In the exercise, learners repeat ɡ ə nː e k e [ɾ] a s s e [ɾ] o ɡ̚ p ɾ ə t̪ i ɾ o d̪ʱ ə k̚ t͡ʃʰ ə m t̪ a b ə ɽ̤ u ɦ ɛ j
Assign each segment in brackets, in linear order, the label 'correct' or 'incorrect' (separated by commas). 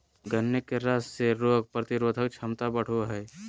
correct, correct